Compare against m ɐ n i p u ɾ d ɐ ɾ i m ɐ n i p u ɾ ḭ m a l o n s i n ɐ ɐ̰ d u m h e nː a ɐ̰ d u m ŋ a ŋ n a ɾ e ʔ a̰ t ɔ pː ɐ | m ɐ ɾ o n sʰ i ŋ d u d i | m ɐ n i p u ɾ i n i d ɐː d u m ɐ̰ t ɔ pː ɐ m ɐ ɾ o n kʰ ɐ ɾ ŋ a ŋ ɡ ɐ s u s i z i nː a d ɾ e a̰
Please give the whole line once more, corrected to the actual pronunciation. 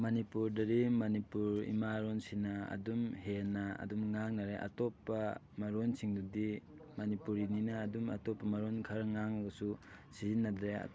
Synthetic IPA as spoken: m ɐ n i p u ɾ d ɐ ɾ i m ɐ n i p u ɾ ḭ m a ɾ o n s i n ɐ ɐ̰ d u m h e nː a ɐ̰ d u m ŋ a ŋ n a ɾ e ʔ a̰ t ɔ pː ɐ | m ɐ ɾ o n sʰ i ŋ d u d i | m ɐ n i p u ɾ i n i n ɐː d u m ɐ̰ t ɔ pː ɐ m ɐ ɾ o n kʰ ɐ ɾ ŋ a ŋ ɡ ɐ s u s i z i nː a d ɾ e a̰